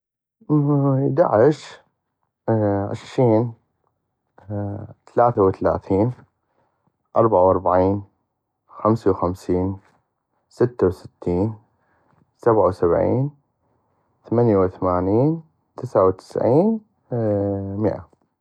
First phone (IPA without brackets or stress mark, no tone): d̪